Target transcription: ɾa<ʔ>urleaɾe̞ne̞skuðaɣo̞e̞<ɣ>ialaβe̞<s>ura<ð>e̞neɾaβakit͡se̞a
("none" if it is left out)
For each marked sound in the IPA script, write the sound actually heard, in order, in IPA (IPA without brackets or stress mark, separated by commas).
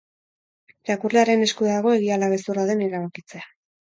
k, ɣ, s, ð